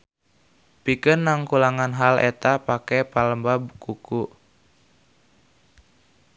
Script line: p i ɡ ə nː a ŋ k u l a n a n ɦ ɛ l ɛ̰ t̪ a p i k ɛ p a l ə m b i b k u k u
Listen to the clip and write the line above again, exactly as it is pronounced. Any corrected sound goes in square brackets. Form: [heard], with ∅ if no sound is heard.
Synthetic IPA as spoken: p i [k] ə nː a ŋ k u l a [ŋ] a n ɦ [a] l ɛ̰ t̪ a p [a] k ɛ p a l ə m b [a] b k u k u